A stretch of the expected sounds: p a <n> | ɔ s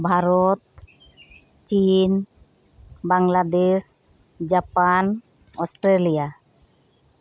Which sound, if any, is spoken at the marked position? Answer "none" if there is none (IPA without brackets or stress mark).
n